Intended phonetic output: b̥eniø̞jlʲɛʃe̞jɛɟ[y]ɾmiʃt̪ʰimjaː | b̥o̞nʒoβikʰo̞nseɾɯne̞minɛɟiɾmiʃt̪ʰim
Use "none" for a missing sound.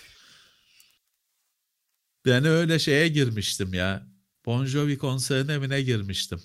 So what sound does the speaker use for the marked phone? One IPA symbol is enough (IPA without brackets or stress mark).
i